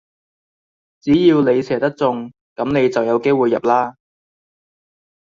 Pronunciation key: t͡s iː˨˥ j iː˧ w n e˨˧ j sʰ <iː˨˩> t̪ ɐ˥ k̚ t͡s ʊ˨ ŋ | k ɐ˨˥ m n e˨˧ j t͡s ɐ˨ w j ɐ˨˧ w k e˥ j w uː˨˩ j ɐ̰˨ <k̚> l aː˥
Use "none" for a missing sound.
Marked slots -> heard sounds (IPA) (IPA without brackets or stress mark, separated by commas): ɛː˨˩, p̚